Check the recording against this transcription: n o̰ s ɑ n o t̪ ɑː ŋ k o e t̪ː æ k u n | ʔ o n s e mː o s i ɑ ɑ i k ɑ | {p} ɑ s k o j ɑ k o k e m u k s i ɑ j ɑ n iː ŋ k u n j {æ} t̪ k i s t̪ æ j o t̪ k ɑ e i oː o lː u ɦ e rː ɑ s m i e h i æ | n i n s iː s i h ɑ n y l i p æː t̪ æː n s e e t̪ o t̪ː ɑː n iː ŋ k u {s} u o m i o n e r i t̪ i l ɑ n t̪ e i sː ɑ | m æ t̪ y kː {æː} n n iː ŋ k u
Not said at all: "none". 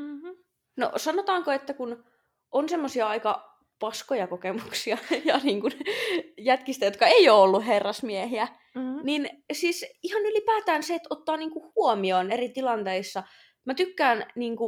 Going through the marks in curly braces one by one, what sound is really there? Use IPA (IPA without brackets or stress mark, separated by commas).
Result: p, æ, h, æː